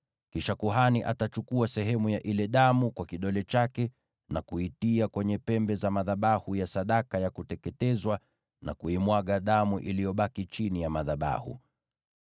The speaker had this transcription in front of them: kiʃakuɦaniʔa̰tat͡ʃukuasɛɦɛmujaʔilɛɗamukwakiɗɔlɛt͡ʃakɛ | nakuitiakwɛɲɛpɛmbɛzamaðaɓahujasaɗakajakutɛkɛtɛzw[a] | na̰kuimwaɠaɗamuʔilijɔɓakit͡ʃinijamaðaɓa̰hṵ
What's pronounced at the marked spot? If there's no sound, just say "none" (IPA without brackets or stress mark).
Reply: a